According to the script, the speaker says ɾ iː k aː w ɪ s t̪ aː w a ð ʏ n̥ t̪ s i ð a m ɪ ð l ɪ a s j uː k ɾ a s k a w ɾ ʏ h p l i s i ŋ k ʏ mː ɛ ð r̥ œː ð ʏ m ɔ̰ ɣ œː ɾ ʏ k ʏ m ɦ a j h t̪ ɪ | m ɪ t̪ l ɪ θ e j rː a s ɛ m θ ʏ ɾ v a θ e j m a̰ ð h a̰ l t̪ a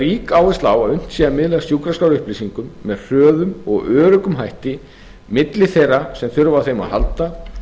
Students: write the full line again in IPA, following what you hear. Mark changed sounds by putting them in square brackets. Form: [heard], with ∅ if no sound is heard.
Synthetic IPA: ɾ iː k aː w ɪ s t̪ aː w a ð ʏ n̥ t̪ s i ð a m ɪ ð l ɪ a s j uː k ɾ a s k a w ɾ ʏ h p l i s i ŋ k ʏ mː ɛ ð r̥ œː ð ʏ m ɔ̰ ɣ œː ɾ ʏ k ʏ m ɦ a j h t̪ ɪ | m ɪ t̪ l ɪ θ e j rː a s ɛ m θ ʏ ɾ v a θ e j m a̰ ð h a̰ l t̪ a